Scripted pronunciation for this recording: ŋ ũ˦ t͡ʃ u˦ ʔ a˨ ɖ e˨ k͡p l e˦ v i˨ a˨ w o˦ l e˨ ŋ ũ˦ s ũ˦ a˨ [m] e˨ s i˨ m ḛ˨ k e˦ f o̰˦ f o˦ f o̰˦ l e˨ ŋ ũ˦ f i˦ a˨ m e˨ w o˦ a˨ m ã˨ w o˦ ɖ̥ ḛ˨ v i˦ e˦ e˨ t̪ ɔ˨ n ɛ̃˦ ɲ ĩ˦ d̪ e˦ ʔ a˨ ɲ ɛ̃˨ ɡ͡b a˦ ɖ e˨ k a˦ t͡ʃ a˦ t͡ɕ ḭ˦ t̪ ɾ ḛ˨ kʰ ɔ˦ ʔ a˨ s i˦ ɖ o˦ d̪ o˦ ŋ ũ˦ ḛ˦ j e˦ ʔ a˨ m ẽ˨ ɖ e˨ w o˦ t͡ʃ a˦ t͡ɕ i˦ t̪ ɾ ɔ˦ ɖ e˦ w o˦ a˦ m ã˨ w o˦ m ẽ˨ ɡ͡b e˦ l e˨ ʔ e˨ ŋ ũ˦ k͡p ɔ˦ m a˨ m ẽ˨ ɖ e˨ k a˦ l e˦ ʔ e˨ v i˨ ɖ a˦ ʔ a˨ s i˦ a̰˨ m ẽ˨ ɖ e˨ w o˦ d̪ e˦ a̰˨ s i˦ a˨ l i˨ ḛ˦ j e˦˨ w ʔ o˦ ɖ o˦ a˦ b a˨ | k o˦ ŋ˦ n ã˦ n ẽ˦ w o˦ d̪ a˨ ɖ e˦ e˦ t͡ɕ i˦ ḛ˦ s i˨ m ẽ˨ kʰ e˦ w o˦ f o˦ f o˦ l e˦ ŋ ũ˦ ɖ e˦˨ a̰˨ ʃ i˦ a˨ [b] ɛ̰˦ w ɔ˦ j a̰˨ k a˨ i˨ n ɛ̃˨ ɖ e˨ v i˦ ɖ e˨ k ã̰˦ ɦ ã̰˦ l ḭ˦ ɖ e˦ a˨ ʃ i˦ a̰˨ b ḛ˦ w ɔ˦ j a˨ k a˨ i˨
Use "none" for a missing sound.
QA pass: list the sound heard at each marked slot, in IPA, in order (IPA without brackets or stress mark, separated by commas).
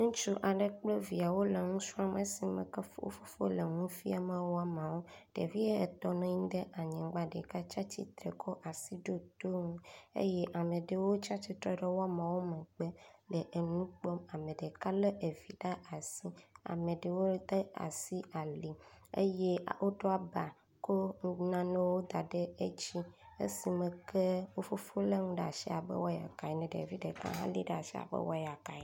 m, b